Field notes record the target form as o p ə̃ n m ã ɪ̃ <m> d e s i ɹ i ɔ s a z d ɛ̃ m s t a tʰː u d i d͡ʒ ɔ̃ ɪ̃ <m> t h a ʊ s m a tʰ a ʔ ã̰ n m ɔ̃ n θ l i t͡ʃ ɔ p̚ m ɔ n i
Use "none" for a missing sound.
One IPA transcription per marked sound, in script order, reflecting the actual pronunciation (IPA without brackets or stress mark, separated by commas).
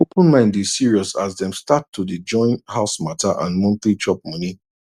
n, n